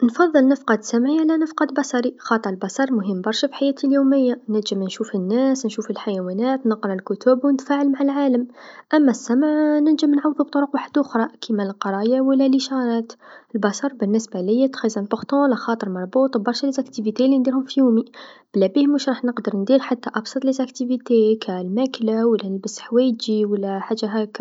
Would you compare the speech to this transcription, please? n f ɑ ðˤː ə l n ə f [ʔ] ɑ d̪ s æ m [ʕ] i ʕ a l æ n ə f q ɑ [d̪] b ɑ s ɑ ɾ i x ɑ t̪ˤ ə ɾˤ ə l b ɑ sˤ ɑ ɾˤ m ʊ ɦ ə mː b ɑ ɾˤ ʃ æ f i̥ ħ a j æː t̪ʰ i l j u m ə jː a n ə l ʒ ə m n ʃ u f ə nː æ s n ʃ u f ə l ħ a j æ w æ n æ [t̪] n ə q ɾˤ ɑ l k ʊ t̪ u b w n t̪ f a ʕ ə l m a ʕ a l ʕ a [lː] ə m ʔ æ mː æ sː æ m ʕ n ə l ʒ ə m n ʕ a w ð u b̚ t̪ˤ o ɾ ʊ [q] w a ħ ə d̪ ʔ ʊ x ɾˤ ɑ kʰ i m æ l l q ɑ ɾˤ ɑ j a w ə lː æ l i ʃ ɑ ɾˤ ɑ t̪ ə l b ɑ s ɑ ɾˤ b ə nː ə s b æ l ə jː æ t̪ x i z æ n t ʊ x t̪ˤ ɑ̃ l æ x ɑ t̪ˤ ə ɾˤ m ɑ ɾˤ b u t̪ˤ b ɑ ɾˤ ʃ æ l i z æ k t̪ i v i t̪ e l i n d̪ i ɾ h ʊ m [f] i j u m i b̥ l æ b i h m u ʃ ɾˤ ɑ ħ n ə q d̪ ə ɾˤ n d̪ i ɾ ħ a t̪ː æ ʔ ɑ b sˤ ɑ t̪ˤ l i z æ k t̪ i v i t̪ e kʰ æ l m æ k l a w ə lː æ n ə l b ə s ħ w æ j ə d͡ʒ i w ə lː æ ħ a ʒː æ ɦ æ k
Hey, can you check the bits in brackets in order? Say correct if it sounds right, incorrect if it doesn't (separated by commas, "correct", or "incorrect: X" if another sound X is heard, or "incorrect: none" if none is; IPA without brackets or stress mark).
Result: incorrect: q, correct, correct, correct, incorrect: l, correct, correct